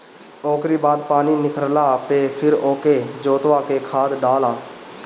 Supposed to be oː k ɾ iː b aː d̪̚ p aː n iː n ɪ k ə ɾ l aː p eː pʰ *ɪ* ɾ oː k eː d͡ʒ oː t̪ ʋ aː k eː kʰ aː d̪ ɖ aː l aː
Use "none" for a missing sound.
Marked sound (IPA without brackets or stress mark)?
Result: ɪ